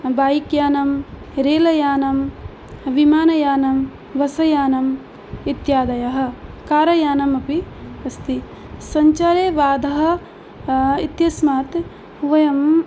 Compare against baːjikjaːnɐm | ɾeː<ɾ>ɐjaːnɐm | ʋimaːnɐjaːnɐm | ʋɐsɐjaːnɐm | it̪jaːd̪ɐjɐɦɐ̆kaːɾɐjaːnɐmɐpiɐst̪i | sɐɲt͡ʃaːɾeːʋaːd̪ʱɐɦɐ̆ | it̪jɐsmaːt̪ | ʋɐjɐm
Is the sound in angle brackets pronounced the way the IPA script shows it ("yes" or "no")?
no